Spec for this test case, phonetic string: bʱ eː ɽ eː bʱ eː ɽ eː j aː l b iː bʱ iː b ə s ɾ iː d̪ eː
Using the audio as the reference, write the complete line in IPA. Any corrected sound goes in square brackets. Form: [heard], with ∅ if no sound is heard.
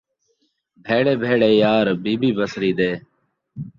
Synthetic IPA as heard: bʱ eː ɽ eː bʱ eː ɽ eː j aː [ɾ] b iː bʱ iː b ə s ɾ iː d̪ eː